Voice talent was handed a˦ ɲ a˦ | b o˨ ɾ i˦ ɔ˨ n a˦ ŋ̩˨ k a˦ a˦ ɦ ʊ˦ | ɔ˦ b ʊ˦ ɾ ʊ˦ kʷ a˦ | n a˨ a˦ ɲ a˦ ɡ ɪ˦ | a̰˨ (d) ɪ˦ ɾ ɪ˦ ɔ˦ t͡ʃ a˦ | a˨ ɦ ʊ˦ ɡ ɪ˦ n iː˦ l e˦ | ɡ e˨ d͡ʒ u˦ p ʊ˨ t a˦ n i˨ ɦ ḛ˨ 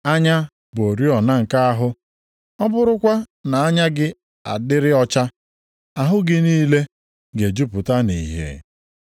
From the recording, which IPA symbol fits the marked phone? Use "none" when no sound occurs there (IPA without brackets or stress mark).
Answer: d